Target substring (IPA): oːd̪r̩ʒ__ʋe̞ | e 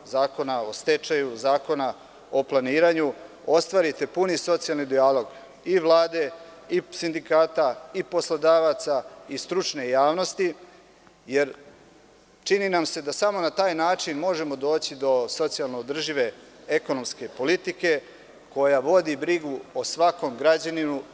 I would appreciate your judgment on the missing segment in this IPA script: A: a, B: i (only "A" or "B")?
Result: B